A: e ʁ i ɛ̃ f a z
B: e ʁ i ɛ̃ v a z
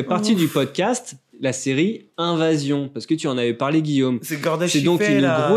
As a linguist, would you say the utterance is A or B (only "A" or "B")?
B